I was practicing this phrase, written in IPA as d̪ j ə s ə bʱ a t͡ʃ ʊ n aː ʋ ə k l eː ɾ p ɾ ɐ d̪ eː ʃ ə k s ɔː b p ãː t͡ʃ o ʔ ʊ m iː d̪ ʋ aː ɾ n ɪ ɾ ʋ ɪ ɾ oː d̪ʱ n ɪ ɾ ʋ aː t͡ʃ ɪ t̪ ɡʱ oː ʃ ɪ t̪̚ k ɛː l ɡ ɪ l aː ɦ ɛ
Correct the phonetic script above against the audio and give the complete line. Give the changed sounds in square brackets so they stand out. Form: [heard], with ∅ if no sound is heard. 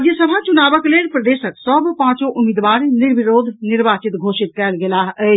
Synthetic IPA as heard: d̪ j ə s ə bʱ a t͡ʃ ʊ n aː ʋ ə k l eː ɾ p ɾ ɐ d̪ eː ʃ ə k s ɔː b p ãː t͡ʃ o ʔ ʊ m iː d̪ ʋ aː ɾ n ɪ ɾ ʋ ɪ ɾ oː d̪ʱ n ɪ ɾ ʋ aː t͡ʃ ɪ t̪ ɡʱ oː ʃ ɪ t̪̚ k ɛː l ɡ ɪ l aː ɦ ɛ